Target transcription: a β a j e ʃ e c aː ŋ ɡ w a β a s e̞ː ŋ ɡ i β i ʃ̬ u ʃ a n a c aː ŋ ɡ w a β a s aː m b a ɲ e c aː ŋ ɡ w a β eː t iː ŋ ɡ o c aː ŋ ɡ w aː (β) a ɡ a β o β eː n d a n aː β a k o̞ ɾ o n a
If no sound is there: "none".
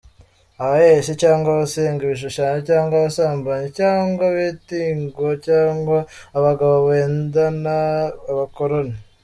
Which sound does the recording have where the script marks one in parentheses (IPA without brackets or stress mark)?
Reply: β